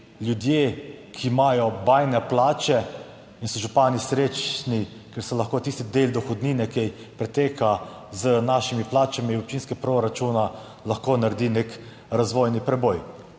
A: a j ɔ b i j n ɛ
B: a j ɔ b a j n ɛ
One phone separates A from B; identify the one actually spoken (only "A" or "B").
B